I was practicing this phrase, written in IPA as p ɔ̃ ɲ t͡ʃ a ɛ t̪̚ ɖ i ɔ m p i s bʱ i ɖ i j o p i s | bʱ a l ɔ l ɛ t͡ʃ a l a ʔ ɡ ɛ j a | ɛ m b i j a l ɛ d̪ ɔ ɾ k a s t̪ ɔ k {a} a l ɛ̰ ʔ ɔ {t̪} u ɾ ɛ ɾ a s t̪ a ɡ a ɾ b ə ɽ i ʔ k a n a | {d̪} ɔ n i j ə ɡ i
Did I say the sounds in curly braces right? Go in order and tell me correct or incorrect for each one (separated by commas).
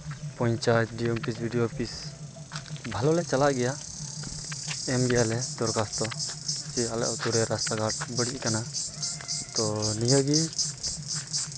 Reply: incorrect, correct, incorrect